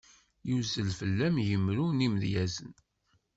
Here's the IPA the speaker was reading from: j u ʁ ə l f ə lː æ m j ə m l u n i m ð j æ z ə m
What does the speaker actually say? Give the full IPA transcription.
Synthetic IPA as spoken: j u z ə l f ə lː æ m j ə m ɾ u n i m ð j æ z ə n